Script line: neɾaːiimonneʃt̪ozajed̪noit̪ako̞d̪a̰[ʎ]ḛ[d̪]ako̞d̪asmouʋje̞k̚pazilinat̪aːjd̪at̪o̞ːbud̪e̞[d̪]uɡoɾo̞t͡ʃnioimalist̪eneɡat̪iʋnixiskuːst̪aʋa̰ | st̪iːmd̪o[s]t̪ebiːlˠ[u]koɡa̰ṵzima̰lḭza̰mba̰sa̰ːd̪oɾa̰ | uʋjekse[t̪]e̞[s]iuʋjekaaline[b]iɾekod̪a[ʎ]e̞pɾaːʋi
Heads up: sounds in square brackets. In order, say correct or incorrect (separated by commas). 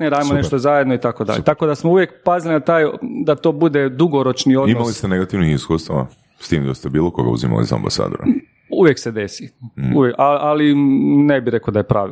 correct, incorrect, correct, correct, incorrect, incorrect, correct, correct, incorrect